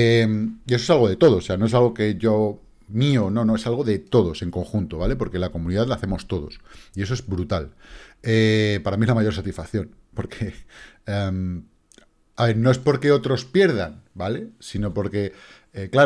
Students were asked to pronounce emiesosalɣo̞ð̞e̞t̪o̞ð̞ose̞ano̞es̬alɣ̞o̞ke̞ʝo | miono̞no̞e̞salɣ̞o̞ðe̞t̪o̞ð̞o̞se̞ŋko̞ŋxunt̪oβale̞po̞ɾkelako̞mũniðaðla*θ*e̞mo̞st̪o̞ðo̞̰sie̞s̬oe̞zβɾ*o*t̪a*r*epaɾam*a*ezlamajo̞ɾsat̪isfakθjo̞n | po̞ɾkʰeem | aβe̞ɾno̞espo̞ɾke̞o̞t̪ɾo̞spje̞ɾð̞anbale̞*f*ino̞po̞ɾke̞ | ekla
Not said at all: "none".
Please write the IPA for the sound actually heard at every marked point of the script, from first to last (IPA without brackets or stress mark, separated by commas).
θ, u, l, i, s